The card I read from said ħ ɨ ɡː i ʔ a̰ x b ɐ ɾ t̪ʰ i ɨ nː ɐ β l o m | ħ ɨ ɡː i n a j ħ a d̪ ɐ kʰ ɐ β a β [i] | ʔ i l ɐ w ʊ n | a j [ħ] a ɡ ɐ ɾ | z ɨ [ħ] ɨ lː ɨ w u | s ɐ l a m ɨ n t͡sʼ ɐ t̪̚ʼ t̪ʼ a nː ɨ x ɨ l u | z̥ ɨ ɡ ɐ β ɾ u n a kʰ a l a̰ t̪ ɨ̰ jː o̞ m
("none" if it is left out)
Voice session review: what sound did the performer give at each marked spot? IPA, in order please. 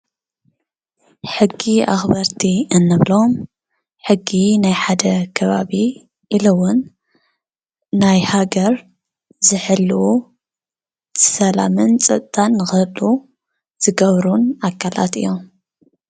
i, h, ħ

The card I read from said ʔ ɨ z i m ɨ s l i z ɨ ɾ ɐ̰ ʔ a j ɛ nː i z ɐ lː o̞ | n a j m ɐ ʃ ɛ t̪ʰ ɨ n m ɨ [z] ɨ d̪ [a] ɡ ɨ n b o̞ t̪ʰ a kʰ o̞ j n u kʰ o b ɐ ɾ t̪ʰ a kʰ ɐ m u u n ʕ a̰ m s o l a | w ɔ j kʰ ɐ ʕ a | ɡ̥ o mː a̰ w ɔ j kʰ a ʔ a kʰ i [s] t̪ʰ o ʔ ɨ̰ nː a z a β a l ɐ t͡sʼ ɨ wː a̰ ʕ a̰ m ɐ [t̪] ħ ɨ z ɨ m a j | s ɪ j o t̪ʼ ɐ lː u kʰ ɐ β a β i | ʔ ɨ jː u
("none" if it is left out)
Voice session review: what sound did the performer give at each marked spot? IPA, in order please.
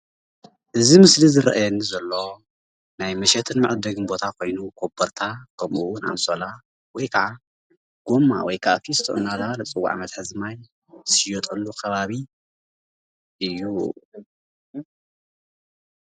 ʕ, ɐ, s, t̪

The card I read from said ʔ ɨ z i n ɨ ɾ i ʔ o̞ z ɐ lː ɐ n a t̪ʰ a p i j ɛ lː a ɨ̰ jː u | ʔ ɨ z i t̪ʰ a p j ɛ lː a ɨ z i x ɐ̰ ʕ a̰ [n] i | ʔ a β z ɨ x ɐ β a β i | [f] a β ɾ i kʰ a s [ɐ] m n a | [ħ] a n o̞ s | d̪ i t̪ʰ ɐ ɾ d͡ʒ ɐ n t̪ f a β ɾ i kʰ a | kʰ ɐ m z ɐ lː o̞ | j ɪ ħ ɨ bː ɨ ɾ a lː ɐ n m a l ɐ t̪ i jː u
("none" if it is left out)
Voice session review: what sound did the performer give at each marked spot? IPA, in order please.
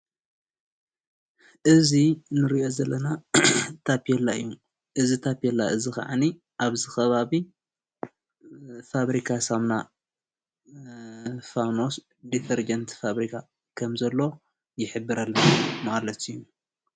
n, f, a, f

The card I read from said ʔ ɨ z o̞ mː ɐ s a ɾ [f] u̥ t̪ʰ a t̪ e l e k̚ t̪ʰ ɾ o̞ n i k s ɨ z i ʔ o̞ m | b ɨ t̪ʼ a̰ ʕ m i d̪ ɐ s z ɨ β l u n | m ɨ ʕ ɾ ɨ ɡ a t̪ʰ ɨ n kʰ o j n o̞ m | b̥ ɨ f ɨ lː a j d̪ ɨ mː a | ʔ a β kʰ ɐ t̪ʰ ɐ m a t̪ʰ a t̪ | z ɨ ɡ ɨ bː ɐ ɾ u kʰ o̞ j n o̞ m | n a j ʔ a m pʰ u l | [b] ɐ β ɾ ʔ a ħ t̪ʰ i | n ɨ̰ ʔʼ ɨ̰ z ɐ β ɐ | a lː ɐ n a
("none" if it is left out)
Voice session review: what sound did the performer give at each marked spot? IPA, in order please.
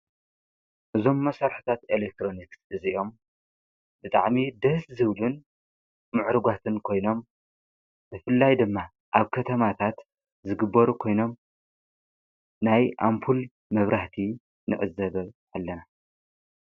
ħ, m

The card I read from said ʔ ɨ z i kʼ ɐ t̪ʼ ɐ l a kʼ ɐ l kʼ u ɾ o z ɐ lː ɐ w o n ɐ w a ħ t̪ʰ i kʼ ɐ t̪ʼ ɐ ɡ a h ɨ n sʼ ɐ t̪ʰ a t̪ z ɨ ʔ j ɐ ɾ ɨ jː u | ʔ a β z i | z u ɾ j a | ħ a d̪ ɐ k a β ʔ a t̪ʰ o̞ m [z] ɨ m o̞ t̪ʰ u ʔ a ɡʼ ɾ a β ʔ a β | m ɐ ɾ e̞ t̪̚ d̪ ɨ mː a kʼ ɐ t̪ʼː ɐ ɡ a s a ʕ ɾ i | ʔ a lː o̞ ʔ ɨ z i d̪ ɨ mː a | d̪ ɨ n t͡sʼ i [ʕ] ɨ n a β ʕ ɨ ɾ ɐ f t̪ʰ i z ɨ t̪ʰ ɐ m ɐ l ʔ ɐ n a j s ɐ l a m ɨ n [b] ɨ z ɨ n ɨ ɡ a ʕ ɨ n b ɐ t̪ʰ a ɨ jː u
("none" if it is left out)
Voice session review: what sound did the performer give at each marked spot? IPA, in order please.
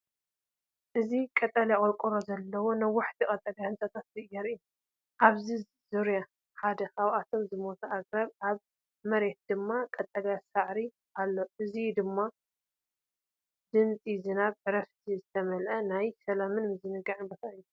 z, z, m

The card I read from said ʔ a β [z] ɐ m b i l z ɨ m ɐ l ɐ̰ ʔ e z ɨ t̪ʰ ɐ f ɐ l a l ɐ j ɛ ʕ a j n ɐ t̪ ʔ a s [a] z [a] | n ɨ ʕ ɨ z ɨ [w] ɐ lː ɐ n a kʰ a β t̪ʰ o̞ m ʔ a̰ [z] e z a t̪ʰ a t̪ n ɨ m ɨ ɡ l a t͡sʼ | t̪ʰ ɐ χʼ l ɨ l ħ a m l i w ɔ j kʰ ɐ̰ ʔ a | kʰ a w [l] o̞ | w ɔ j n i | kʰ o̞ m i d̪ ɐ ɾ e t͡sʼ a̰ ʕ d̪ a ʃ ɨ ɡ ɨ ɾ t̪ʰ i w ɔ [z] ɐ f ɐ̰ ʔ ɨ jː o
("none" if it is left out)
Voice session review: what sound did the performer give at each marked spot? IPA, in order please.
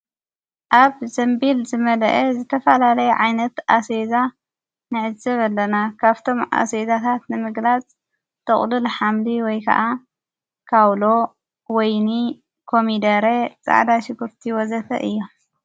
z, e, a, β, s, l, z

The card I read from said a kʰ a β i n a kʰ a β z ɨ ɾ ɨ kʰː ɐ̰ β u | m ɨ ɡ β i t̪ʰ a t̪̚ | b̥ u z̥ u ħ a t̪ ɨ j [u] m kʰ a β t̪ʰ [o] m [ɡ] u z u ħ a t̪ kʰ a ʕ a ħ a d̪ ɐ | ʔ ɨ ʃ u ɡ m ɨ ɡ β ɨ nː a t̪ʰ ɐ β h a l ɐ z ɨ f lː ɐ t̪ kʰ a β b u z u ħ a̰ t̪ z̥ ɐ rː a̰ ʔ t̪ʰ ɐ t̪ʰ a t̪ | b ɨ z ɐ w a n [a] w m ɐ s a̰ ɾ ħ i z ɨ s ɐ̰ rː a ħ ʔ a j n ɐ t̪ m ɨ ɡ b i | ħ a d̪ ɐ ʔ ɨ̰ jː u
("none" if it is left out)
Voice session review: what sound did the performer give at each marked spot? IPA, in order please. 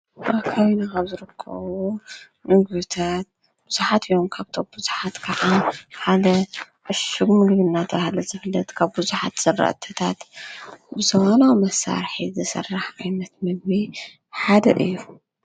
o, o, b, a

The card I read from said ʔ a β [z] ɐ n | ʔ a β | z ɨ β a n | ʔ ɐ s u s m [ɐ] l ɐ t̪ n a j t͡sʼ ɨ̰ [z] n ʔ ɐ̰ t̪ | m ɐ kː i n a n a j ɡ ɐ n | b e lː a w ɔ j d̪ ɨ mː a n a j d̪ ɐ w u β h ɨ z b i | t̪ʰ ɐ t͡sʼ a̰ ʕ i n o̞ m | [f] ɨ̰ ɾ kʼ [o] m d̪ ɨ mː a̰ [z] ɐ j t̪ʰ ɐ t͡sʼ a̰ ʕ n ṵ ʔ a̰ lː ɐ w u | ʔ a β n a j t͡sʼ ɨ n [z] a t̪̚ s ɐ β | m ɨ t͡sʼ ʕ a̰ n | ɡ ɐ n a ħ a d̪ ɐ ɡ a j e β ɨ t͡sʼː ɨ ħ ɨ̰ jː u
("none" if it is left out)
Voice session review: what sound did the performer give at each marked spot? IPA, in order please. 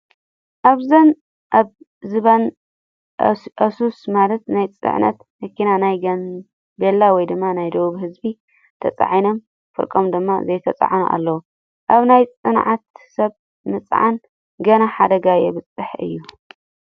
z, a, ʕ, f, o, z, ʕ

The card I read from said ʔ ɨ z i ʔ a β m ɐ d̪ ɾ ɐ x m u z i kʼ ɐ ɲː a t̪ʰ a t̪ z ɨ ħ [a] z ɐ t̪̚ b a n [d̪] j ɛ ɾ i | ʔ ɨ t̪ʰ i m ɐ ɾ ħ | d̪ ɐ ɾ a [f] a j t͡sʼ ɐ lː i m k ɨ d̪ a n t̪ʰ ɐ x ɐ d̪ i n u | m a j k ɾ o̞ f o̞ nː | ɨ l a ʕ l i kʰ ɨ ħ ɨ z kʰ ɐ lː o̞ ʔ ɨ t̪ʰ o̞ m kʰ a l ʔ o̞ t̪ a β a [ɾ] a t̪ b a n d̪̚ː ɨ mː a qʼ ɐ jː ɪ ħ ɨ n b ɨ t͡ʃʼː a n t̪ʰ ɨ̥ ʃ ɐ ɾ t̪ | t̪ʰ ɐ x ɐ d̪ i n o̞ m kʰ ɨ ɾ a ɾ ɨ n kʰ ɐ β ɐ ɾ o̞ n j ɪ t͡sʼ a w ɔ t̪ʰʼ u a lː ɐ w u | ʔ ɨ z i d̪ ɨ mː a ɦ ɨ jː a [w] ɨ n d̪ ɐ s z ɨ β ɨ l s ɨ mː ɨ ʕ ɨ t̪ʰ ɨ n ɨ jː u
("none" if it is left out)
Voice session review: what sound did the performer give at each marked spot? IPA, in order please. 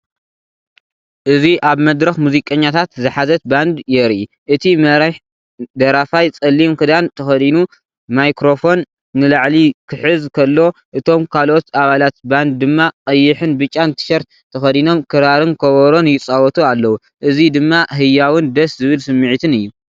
a, d̪, f, l, w

